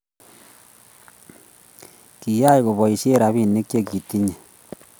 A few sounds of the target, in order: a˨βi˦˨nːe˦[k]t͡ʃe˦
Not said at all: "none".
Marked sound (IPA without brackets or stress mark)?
k